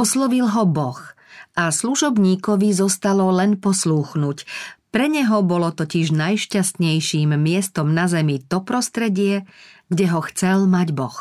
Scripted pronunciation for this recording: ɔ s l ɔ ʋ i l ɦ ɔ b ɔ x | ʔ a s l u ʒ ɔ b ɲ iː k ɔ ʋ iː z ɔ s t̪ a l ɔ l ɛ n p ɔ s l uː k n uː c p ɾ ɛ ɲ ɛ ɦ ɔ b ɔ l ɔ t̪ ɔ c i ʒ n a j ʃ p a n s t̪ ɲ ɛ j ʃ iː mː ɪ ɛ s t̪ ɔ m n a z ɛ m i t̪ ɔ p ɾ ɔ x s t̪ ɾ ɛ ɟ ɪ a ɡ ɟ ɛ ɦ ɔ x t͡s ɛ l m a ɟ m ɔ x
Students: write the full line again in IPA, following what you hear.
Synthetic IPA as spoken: ɔ s l ɔ ʋ i l ɦ ɔ b ɔ x | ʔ a s l u ʒ ɔ b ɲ iː k ɔ ʋ i z ɔ s t̪ a l ɔ l ɛ n p ɔ s l uː x n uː c p ɾ ɛ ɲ ɛ ɦ ɔ b ɔ l ɔ t̪ ɔ c i ʒ n a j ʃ c a s t̪ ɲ ɛ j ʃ iː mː ɪ ɛ s t̪ ɔ m n a z ɛ m i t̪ ɔ p ɾ ɔ s t̪ ɾ ɛ ɟ ɪ ɛ ɡ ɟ ɛ ɦ ɔ x t͡s ɛ l m a ɟ b ɔ x